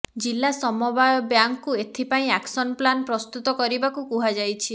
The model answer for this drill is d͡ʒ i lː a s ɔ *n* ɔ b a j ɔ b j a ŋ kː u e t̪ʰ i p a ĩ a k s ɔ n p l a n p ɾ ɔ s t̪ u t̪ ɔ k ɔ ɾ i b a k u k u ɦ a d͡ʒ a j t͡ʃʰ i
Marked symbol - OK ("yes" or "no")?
no